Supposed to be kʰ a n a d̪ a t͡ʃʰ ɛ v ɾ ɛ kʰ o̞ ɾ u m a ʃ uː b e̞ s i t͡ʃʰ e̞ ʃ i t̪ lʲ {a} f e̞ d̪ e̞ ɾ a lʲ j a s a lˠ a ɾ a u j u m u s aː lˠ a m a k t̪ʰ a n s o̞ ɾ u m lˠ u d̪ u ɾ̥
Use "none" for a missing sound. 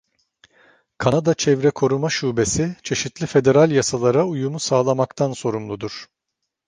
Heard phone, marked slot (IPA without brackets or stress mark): i